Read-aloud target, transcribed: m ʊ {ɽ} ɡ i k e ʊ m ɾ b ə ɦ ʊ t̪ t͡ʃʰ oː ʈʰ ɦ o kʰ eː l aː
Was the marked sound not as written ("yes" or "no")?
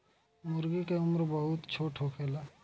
yes